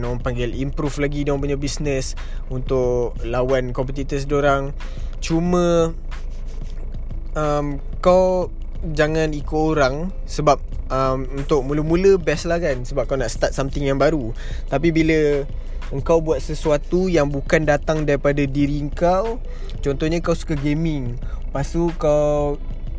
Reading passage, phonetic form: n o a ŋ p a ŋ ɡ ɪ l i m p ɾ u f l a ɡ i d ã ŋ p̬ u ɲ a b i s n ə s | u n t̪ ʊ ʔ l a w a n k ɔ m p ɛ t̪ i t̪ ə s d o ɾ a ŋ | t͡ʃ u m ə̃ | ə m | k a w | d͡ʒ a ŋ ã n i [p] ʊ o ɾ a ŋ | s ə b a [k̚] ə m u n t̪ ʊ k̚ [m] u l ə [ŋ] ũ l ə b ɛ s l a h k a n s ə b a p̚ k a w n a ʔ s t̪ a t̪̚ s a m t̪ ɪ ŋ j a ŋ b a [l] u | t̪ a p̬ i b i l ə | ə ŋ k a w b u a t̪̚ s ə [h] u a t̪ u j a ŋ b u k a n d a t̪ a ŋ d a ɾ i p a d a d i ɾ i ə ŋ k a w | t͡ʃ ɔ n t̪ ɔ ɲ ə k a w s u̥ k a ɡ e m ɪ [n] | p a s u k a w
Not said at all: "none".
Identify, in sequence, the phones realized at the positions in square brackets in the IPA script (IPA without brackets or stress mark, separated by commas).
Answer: k, p̚, m, m, ɾ, s, ŋ